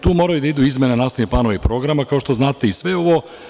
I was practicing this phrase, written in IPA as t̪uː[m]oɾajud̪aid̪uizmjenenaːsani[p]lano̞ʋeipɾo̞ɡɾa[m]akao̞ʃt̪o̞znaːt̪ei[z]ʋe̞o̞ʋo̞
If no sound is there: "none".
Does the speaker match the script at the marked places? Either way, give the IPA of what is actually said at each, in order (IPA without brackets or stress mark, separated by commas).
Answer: m, p, m, s